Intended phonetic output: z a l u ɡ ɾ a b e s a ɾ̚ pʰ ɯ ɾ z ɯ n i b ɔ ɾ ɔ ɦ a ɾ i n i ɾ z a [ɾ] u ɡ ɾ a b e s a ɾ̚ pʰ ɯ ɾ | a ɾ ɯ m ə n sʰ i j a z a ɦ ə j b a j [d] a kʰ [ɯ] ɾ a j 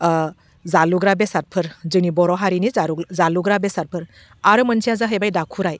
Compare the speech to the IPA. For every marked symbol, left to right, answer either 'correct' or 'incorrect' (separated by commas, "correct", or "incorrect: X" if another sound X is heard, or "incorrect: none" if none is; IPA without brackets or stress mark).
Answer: incorrect: l, correct, incorrect: u